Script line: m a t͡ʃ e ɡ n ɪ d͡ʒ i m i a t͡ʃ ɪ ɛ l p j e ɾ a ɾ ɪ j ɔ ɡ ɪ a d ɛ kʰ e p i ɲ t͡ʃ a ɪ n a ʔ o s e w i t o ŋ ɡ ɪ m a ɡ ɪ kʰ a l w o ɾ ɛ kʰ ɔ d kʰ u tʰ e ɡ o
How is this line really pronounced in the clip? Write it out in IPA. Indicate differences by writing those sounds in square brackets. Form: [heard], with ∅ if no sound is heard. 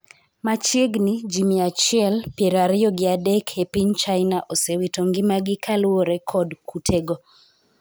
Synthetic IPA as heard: m a t͡ʃ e ɡ n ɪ d͡ʒ i m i a t͡ʃ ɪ ɛ l p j e ɾ a ɾ ɪ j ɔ ɡ ɪ a d ɛ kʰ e p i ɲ t͡ʃ a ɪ n a ʔ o s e w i t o ŋ ɡ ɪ m a ɡ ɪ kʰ a l w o ɾ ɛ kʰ ɔ d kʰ u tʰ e ɡ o